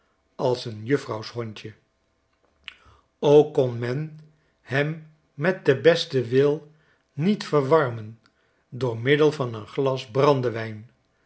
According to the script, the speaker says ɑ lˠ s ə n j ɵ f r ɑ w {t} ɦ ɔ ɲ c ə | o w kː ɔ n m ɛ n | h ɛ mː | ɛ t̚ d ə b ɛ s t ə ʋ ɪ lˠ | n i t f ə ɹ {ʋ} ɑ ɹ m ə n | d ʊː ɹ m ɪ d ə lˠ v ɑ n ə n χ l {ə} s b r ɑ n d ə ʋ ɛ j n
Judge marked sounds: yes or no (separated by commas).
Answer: no, yes, no